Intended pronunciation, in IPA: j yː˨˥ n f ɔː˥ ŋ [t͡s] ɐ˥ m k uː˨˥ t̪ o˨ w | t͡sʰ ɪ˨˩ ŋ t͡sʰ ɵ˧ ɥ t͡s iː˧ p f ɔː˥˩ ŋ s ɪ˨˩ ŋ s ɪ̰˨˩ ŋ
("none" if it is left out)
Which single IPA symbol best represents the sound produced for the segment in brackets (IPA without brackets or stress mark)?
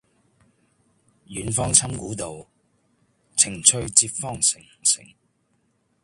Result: t͡sʰ